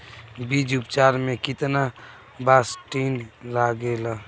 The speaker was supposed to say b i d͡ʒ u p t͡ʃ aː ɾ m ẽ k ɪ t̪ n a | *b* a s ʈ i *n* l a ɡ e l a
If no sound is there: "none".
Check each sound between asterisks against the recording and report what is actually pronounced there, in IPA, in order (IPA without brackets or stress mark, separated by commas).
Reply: b, n